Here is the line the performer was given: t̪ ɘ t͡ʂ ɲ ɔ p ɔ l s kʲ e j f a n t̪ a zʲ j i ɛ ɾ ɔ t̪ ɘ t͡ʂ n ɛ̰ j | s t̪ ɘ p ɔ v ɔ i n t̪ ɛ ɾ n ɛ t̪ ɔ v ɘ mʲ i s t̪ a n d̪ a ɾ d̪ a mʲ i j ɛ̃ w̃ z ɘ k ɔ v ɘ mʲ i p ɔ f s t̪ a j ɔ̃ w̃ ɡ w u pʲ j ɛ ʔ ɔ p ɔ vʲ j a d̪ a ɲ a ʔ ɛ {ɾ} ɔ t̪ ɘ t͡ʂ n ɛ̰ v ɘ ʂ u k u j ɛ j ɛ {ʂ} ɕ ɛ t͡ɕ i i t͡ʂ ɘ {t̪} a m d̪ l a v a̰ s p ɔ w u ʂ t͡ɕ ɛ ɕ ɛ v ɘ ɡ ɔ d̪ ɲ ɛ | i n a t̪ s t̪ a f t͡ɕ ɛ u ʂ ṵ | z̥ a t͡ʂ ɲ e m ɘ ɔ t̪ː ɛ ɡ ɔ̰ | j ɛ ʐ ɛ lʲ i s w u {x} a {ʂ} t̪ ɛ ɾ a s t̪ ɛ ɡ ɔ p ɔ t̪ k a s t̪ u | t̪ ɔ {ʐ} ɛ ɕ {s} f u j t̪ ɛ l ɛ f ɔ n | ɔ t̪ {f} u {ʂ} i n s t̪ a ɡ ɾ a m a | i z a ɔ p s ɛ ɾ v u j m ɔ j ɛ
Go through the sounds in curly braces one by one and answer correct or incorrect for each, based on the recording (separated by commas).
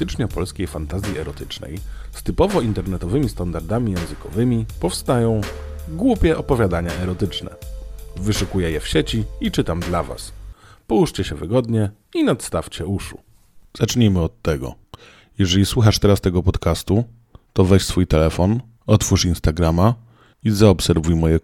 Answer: correct, incorrect, correct, correct, correct, incorrect, correct, correct, correct